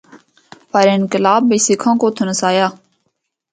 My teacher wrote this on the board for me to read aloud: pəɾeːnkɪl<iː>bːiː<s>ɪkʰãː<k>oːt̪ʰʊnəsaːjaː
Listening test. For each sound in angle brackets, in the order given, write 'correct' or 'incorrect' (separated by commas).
incorrect, correct, correct